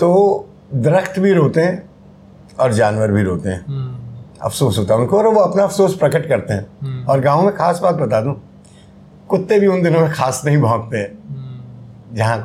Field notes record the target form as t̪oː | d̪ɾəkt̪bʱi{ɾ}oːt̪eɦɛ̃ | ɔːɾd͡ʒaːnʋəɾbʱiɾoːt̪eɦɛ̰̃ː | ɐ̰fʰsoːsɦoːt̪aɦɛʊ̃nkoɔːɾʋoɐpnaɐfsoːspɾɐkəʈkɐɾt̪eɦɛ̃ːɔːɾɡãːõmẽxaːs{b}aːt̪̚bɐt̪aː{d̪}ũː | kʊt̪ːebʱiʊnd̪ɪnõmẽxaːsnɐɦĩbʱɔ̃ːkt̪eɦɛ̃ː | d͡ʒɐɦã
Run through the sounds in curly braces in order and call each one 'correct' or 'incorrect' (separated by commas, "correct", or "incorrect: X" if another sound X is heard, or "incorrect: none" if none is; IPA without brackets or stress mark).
correct, correct, correct